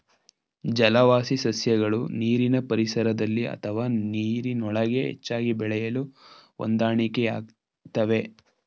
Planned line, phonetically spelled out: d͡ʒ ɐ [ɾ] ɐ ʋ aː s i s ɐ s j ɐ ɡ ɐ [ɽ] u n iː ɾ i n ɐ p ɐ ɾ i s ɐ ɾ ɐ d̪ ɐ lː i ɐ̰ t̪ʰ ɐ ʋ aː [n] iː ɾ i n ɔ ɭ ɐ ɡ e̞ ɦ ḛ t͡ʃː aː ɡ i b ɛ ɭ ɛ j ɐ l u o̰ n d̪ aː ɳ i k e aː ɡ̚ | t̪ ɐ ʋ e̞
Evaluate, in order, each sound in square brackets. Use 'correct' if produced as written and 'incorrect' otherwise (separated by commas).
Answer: incorrect, incorrect, correct